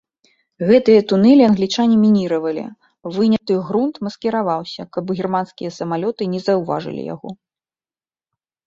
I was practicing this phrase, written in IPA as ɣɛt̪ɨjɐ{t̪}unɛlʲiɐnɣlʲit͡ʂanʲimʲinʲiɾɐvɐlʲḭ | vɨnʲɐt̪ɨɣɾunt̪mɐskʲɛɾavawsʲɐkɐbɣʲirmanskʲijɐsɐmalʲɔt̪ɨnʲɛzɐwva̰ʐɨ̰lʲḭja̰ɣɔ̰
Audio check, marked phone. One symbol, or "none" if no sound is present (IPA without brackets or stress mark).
t̪